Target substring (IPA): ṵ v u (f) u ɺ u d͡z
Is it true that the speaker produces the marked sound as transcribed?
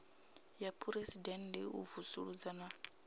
no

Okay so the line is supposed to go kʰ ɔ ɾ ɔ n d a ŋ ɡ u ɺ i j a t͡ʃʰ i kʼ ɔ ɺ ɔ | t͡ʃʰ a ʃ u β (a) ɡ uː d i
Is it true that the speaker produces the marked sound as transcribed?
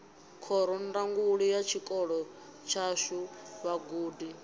yes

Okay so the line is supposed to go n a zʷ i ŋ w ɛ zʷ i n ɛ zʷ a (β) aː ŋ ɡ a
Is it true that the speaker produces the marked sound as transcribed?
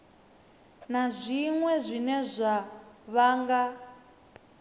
yes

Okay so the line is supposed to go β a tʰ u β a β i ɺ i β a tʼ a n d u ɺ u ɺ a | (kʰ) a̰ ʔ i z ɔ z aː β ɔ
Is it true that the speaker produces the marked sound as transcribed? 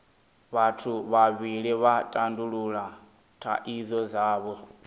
no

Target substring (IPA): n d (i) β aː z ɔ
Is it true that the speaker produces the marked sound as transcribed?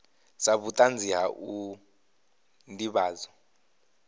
yes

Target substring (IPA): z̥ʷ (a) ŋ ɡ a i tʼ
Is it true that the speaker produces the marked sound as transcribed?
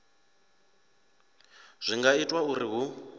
no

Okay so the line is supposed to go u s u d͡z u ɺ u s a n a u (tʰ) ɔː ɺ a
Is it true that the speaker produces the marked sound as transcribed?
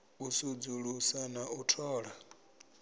yes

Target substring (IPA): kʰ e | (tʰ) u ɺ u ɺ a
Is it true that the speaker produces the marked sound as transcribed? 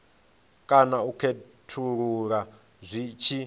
yes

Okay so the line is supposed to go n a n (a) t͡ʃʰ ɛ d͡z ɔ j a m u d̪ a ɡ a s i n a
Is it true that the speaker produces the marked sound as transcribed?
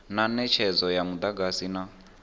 no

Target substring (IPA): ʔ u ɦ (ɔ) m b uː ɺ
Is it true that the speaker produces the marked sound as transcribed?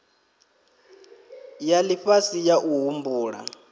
no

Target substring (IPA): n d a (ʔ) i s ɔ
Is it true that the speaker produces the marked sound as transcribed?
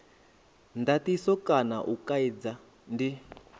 no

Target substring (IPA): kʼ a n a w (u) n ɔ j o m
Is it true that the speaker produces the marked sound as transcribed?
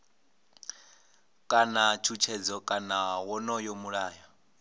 no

